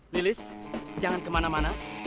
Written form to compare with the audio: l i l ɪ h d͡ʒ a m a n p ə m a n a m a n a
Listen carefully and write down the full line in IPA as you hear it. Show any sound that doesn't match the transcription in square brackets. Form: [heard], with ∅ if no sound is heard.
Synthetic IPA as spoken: l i l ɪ [s] d͡ʒ a [ŋ] a n [k] ə m a n a m a n a